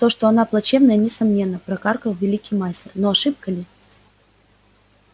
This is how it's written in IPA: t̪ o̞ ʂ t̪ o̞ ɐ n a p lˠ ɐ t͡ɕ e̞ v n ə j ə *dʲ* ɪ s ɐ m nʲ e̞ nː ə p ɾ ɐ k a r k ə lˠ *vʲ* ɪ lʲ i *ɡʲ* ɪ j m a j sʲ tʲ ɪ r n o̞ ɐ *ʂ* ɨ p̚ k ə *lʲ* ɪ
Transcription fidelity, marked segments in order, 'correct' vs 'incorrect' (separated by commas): incorrect, correct, incorrect, correct, correct